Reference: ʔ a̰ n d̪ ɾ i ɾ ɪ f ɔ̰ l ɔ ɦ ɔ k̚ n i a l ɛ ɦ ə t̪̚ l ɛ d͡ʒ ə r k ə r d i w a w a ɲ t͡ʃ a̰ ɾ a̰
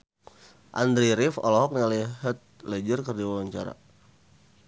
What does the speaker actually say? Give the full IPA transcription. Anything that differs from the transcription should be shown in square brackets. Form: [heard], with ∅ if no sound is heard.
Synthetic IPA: ʔ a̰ n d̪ ɾ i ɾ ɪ f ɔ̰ l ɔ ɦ ɔ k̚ n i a l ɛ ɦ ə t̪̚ l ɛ d͡ʒ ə r k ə r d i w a w a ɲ t͡ʃ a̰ ɾ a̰

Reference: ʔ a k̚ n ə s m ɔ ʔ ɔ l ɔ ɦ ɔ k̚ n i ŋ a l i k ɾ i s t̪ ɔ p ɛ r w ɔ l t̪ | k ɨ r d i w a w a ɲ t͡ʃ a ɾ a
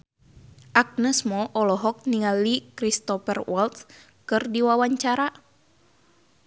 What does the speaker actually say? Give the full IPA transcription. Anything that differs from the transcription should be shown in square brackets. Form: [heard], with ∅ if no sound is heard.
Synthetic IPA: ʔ a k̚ n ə s m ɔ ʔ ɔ l ɔ ɦ ɔ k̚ n i ŋ a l i k ɾ i s t̪ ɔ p ɛ r w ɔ l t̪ | k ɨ r d i w a w a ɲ t͡ʃ a ɾ a

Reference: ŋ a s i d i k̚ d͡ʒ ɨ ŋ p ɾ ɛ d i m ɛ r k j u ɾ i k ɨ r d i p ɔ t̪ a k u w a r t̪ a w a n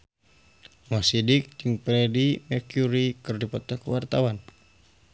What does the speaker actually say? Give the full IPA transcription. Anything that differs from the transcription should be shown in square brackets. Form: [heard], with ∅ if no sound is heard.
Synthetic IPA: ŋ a s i d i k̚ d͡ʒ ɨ ŋ p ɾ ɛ d i m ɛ r k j u ɾ i k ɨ r d i p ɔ t̪ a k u w a r t̪ a w a n

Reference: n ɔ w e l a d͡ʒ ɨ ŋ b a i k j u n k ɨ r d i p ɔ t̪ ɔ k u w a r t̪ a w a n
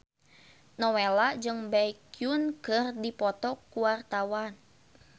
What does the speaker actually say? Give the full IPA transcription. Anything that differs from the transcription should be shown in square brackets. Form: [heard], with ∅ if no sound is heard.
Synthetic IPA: n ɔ w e l a d͡ʒ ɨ ŋ b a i k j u n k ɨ r d i p ɔ t̪ ɔ k u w a r t̪ a w a n

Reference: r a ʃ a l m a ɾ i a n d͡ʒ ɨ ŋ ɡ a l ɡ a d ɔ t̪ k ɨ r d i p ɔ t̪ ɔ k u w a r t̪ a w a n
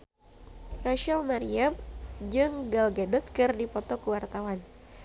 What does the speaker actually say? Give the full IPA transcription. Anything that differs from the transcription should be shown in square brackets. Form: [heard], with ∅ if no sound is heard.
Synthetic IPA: r a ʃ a l m a ɾ i a [m] d͡ʒ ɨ ŋ ɡ a l ɡ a d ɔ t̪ k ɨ r d i p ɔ t̪ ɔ k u w a r t̪ a w a n

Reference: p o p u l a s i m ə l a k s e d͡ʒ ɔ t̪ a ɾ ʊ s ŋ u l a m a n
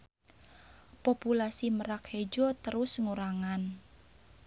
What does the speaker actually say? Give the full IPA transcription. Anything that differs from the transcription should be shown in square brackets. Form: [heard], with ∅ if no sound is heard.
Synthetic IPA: p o p u l a s i m ə [ɾ] a k [h] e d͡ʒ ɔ t̪ [ə] ɾ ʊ s ŋ u [ɾ] a [ŋ] a n

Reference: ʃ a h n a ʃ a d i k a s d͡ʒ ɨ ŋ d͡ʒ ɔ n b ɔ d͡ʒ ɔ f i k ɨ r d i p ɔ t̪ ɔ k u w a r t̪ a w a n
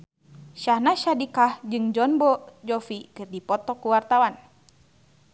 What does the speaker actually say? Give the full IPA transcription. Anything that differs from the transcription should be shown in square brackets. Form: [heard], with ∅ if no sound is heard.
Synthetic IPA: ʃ a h n a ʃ a d i k a [h] d͡ʒ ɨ ŋ d͡ʒ ɔ n b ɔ d͡ʒ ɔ f i k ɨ r d i p ɔ t̪ ɔ k u w a r t̪ a w a n

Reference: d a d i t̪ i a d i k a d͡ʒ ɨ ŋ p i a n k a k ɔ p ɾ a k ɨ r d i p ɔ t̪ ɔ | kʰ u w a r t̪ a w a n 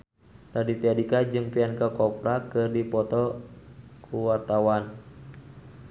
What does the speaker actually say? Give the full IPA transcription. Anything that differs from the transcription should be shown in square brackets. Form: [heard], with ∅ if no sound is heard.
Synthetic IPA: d a d i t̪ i a d i k a d͡ʒ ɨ ŋ p i a n k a k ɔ p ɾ a k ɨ r d i p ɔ t̪ ɔ | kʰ u w a r t̪ a w a n

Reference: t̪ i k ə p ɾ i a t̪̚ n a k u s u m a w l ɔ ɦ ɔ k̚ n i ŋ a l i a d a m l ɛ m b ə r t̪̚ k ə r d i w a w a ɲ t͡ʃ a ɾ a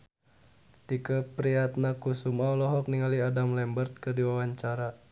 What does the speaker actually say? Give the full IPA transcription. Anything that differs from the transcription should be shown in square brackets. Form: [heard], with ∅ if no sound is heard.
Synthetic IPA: t̪ i k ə p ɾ i a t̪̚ n a k u s u m a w l ɔ ɦ ɔ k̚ n i ŋ a l i a d a m l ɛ m b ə r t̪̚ k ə r d i w a w a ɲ t͡ʃ a ɾ a

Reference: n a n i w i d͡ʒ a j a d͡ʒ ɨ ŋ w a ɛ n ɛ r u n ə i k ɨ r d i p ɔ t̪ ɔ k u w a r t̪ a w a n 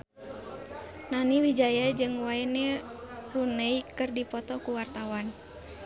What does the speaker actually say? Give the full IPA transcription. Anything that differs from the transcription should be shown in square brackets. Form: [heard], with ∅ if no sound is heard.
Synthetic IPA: n a n i w i d͡ʒ a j a d͡ʒ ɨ ŋ w a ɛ n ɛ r u n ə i k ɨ r d i p ɔ t̪ ɔ k u w a r t̪ a w a n

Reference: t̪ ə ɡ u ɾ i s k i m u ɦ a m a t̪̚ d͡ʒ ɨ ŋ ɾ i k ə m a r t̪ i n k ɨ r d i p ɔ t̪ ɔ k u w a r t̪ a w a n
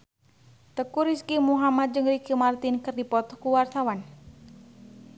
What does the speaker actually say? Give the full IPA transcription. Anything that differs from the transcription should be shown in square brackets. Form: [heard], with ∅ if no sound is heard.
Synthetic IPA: t̪ ə [k] u ɾ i s k i m u ɦ a m a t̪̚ d͡ʒ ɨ ŋ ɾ i k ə m a r t̪ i n k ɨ r d i p ɔ t̪ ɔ k u w a r t̪ a w a n

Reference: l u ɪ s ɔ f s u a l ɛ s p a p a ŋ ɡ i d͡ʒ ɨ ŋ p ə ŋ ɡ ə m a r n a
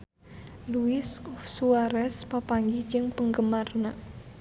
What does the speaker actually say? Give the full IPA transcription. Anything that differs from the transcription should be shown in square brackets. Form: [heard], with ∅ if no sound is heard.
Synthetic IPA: l u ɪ s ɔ f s u a [ɾ] ɛ s p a p a ŋ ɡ i d͡ʒ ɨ ŋ p ə ŋ ɡ ə m a r n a

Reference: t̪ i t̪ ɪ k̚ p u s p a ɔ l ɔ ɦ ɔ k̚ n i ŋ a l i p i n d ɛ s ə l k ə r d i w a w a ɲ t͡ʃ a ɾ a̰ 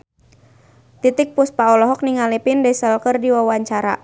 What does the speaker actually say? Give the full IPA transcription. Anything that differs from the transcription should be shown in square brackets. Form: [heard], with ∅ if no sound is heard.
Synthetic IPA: t̪ i t̪ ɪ k̚ p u s p a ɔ l ɔ ɦ ɔ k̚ n i ŋ a l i p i n d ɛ s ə l k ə r d i w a w a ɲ t͡ʃ a ɾ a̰

